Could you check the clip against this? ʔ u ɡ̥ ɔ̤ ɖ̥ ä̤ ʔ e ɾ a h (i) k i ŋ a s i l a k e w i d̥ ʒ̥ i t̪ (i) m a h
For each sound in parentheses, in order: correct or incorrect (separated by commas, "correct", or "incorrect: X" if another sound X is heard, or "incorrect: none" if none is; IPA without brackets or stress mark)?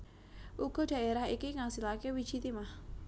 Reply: correct, correct